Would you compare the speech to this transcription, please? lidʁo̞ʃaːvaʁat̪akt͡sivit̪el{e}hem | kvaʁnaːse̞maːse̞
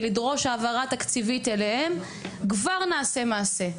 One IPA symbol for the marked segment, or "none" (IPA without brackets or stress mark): e